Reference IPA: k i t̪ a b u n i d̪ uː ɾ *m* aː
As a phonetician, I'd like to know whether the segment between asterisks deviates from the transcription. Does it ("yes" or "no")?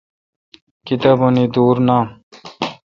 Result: yes